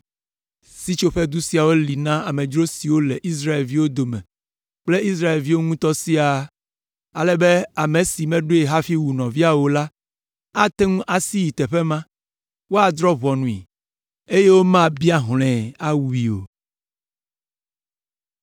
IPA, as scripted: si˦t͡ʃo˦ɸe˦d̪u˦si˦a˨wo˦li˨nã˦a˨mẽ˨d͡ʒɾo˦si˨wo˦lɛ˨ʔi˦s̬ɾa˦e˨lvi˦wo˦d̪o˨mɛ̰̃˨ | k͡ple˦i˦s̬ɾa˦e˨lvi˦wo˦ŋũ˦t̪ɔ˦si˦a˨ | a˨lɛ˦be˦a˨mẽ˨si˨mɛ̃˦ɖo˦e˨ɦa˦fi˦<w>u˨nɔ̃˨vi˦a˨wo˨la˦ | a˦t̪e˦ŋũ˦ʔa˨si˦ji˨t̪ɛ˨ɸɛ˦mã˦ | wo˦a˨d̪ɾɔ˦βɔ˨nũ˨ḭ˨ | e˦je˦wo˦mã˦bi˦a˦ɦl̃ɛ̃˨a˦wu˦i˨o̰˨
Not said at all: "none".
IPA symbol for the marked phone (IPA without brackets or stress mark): w